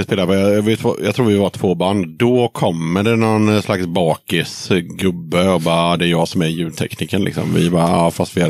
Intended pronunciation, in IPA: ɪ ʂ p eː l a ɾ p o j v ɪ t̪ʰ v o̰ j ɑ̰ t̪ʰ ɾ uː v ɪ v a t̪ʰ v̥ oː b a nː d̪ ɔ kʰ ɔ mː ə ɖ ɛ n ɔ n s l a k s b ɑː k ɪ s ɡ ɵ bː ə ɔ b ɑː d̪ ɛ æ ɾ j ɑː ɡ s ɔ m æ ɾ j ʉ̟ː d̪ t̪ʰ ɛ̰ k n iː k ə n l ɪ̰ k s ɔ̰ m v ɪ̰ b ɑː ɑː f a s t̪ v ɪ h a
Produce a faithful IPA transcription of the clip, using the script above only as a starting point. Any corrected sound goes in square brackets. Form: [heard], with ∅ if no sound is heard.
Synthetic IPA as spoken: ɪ [s] p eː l a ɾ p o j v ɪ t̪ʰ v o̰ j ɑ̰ t̪ʰ ɾ uː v ɪ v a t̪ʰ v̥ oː b a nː d̪ ɔ kʰ ɔ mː ə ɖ ɛ n ɔ n s l a k s b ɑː k ɪ s ɡ ɵ bː ə ɔ b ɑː d̪ ɛ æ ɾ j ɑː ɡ s ɔ m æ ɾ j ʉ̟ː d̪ t̪ʰ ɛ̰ k n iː k ə n l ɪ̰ k s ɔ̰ m v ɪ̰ b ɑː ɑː f a s t̪ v ɪ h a